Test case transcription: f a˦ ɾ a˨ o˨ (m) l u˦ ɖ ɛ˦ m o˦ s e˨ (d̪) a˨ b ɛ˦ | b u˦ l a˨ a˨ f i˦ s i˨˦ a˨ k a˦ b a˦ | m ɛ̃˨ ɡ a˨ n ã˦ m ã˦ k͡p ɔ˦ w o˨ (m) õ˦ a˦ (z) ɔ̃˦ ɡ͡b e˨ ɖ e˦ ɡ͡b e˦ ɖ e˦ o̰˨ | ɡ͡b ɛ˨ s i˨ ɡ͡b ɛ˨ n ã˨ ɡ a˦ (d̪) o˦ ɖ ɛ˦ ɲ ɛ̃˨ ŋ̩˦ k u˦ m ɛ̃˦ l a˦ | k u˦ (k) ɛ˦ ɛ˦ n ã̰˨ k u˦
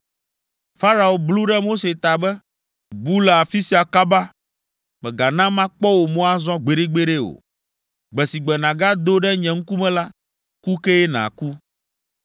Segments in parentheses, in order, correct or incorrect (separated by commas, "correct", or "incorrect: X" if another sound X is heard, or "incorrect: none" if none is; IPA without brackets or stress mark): incorrect: b, incorrect: t̪, correct, correct, correct, correct